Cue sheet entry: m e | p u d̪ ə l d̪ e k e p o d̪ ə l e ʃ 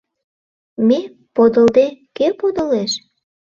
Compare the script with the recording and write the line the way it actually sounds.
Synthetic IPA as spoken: m e | p o d̪ ə l d̪ e k e p o d̪ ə l e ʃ